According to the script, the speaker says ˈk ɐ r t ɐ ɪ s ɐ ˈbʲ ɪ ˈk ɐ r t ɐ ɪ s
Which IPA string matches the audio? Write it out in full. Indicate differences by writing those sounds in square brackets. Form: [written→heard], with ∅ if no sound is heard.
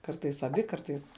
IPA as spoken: ˈk ɐ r t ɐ ɪ s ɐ ˈbʲ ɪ ˈk ɐ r t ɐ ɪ s

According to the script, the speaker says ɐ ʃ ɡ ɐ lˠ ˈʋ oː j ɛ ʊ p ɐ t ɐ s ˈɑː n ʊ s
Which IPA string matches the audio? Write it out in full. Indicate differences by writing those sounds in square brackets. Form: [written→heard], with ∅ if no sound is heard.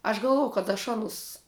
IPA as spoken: ɐ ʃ ɡ ɐ lˠ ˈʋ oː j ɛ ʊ [p→k] ɐ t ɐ [s→ʃ] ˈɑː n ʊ s

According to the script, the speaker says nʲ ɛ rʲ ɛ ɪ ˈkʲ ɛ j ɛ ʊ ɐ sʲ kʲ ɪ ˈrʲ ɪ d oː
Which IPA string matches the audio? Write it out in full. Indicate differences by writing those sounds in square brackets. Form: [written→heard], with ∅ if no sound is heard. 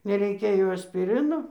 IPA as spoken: nʲ ɛ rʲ ɛ ɪ ˈkʲ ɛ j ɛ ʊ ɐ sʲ [kʲ→pʲ] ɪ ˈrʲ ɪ [d→n] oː

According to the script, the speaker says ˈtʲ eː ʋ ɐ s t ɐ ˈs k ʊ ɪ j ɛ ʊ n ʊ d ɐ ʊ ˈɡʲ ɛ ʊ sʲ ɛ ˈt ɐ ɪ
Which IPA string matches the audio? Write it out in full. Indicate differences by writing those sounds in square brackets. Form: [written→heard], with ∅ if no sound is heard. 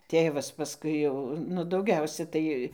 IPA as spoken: ˈtʲ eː ʋ ɐ s [t→p] ɐ ˈs k ʊ ɪ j ɛ ʊ n ʊ d ɐ ʊ ˈɡʲ ɛ ʊ sʲ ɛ ˈt ɐ ɪ

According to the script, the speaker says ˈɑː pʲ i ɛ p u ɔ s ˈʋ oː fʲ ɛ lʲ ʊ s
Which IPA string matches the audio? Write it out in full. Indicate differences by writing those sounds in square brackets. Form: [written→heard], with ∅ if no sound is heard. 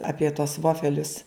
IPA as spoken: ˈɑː pʲ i ɛ [p→t] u ɔ s ˈʋ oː fʲ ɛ lʲ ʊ s

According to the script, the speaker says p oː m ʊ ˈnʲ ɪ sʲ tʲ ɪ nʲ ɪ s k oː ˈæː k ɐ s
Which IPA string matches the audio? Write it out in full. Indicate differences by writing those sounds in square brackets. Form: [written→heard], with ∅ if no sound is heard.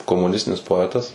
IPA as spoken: [p→k] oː m ʊ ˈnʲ ɪ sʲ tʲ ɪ nʲ ɪ s [k→p] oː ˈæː [k→t] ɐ s

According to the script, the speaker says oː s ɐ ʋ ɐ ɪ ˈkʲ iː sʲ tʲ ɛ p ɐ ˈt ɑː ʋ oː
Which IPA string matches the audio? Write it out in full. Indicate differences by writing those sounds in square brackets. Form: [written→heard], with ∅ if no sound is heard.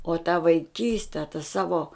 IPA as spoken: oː [s→t] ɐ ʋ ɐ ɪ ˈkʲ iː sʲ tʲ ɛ [p→t] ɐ [ˈt→ˈs] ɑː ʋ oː

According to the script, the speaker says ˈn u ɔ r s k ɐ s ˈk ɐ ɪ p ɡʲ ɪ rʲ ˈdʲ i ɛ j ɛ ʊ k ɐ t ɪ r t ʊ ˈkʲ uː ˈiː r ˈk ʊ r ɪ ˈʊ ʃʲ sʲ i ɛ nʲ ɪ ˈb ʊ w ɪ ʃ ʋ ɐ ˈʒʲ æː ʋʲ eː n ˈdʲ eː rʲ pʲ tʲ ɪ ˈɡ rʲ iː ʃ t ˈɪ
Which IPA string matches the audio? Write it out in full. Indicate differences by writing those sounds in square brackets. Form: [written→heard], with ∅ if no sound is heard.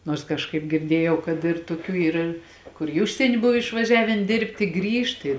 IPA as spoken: ˈn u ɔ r s k ɐ [s→ʃ] ˈk ɐ ɪ p ɡʲ ɪ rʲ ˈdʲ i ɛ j ɛ ʊ k ɐ t ɪ r t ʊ ˈkʲ uː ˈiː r ˈk ʊ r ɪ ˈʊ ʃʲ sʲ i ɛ nʲ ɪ ˈb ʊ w ɪ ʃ ʋ ɐ ˈʒʲ æː ʋʲ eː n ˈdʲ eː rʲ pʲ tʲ ɪ ˈɡ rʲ iː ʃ t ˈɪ

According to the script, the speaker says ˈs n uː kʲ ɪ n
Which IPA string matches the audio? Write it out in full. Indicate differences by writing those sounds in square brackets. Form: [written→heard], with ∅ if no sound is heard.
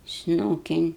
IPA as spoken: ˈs n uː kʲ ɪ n

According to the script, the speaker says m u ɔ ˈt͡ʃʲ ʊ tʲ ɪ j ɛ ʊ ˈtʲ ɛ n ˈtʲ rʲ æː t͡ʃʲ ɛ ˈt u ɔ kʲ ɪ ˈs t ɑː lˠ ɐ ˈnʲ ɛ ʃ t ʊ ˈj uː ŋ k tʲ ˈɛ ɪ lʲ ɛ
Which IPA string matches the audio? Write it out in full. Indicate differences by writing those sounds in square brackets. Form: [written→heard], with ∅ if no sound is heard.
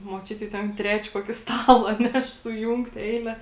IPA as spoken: m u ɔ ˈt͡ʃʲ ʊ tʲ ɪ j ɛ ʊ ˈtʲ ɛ n ˈtʲ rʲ æː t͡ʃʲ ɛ [ˈt→ˈk] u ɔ kʲ ɪ ˈs t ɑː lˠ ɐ ˈnʲ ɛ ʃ [t→s] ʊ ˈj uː ŋ k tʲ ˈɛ ɪ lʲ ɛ

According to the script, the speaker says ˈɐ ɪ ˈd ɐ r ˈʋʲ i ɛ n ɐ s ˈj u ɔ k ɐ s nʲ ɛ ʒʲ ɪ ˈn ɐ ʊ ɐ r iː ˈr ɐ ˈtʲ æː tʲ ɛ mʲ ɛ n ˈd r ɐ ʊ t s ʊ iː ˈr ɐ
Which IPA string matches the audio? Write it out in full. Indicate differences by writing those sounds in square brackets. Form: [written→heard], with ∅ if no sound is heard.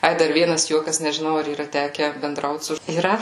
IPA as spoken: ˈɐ ɪ ˈd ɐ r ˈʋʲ i ɛ n ɐ s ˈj u ɔ k ɐ s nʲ ɛ ʒʲ ɪ ˈn ɐ ʊ ɐ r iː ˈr ɐ ˈtʲ æː [tʲ→kʲ] ɛ [mʲ→bʲ] ɛ n ˈd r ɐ ʊ t s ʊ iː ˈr ɐ

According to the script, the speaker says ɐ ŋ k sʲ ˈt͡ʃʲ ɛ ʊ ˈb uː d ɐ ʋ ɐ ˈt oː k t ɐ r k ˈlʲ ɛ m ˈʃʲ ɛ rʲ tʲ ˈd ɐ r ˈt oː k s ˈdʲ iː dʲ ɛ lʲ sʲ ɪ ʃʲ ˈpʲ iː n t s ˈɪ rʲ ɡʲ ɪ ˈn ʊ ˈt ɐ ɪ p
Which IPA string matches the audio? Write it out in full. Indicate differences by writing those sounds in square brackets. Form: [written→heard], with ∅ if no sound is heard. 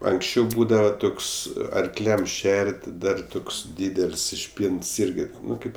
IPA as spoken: ɐ ŋ k sʲ ˈt͡ʃʲ ɛ ʊ ˈb uː d ɐ ʋ ɐ ˈt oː k [t→s] ɐ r k ˈlʲ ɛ m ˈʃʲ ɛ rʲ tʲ ˈd ɐ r ˈt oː k s ˈdʲ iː dʲ ɛ lʲ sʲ ɪ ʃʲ ˈpʲ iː n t s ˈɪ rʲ ɡʲ ɪ ˈn ʊ [ˈt→ˈk] ɐ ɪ p

